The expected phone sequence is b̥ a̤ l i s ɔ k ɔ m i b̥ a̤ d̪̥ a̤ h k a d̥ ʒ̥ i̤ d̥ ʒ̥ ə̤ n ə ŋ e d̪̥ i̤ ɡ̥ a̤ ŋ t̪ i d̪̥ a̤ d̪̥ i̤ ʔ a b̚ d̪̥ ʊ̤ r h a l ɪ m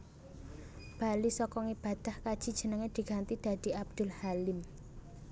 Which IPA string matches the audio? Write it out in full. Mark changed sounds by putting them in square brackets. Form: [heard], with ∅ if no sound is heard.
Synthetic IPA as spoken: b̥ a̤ l i s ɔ k ɔ [ŋ] i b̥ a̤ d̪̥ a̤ h k a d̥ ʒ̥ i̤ d̥ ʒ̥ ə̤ n ə ŋ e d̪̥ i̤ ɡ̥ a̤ [n] t̪ i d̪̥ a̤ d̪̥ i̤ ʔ a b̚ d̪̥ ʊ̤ [l] h a l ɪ m